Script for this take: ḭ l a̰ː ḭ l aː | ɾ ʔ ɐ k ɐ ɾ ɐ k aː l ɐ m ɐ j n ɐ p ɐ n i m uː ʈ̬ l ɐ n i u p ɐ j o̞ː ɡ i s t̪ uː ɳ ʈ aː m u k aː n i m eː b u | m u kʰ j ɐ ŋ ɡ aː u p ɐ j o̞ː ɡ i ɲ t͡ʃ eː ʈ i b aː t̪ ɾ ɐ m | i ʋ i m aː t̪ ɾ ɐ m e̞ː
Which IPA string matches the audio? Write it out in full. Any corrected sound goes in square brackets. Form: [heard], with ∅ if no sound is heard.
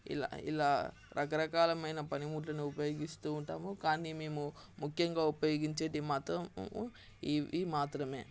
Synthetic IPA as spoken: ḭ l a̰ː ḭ l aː | ɾ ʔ ɐ k ɐ ɾ ɐ k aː l ɐ m ɐ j n ɐ p ɐ n i m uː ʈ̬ l ɐ n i u p ɐ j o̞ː ɡ i s t̪ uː ɳ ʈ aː m u k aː n i m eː [m] u | m u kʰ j ɐ ŋ ɡ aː u p ɐ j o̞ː ɡ i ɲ t͡ʃ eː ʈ i [m] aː t̪ ɾ ɐ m | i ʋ i m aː t̪ ɾ ɐ m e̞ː